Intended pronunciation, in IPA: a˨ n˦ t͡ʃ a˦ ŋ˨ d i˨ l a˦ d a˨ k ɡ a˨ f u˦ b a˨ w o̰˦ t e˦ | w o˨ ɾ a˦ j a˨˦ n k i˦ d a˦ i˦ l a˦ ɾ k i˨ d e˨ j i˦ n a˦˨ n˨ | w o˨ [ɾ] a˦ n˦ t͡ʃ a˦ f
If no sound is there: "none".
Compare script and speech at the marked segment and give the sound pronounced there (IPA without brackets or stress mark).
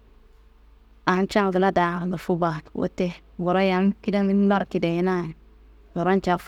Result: ɾ